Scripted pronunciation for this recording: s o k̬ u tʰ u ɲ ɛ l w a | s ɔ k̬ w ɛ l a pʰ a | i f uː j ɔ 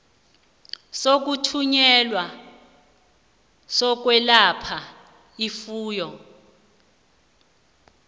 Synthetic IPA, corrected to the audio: s o k̬ u tʰ u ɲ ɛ l w a | s ɔ k̬ w ɛ l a pʰ a | i f uː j ɔ